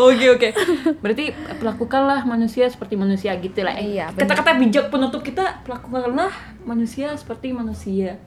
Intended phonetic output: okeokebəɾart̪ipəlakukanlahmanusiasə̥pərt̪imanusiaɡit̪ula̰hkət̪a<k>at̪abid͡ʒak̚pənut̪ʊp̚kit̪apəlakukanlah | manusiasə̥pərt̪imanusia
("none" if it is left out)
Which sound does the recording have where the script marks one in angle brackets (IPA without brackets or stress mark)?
k